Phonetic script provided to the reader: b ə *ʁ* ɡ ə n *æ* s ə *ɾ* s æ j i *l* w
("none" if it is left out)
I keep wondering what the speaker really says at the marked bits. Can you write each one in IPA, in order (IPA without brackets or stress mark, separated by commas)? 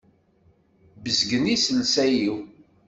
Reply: z, i, l, none